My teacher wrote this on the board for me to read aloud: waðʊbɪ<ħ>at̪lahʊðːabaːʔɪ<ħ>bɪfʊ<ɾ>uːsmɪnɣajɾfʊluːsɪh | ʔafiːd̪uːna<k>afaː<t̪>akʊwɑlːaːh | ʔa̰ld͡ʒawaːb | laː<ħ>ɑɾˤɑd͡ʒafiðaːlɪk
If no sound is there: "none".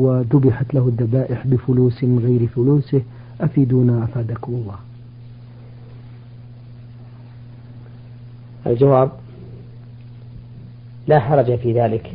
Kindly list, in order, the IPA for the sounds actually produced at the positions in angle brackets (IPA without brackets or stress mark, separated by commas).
ħ, ħ, l, ʔ, d̪, ħ